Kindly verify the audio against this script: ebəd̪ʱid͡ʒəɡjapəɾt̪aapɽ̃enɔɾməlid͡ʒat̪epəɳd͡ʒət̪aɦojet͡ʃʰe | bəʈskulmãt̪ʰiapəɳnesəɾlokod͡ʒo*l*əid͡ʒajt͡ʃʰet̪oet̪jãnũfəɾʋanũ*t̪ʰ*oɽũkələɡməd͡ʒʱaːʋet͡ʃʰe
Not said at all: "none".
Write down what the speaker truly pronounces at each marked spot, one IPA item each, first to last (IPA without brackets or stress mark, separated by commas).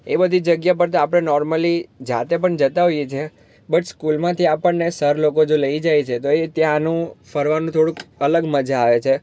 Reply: l, t̪ʰ